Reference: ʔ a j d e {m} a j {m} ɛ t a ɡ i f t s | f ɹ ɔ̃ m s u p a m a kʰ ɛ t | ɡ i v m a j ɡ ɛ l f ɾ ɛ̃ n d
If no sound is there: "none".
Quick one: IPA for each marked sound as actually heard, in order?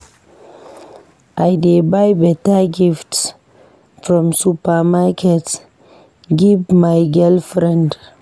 b, b

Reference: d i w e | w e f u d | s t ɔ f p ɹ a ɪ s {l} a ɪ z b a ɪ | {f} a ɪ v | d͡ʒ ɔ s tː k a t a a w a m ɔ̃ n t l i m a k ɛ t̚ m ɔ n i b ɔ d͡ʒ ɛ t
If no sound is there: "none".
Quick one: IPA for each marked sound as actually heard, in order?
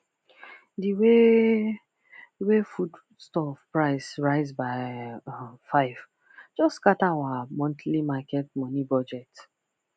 ɹ, f

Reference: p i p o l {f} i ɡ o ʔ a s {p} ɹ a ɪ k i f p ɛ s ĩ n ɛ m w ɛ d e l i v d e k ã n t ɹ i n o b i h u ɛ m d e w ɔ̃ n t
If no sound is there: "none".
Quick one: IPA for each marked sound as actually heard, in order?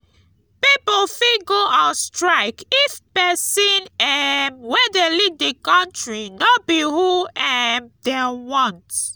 f, t

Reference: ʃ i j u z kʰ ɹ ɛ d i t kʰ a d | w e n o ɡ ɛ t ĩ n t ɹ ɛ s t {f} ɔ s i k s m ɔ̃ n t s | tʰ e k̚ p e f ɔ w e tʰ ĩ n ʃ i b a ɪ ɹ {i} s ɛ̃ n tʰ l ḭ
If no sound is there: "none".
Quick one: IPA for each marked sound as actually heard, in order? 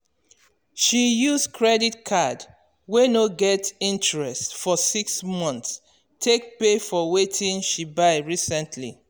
f, i

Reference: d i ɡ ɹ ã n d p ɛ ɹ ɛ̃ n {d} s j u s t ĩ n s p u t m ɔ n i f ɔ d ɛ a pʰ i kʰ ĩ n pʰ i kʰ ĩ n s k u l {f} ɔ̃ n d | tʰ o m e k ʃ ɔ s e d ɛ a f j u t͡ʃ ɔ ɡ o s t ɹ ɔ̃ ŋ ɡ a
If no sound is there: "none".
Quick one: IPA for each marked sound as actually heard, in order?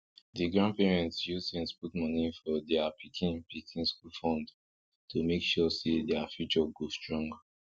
t, f

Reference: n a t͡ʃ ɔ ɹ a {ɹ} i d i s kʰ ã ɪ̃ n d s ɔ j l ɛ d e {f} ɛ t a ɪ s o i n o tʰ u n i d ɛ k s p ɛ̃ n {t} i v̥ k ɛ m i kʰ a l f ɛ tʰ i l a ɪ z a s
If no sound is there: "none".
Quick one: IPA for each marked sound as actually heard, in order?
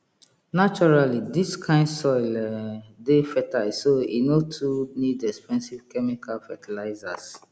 l, f, s

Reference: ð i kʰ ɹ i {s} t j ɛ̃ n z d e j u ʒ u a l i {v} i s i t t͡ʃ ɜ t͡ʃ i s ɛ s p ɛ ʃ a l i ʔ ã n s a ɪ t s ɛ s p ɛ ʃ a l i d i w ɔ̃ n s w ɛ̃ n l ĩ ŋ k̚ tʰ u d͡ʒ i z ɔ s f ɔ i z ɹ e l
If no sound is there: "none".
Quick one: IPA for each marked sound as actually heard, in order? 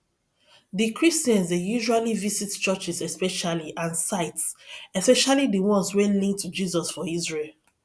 s, v

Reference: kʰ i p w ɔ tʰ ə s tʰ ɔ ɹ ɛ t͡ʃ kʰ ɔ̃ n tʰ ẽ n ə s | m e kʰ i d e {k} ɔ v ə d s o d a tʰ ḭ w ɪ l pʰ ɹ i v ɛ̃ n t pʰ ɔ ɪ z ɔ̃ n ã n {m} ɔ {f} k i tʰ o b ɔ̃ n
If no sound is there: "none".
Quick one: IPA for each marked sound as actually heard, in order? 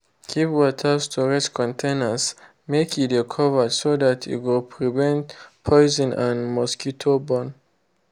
kʰ, m, s

